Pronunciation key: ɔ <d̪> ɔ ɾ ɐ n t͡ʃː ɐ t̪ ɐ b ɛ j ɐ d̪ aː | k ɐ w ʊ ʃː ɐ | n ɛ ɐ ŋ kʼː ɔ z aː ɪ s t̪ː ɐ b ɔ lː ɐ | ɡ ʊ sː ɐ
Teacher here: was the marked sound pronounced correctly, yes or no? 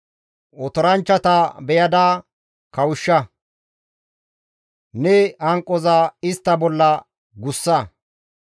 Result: no